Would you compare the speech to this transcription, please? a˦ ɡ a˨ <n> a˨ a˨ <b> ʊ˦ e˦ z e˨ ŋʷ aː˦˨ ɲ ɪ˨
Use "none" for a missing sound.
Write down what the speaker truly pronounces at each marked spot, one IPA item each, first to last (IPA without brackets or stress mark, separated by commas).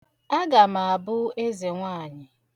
m, b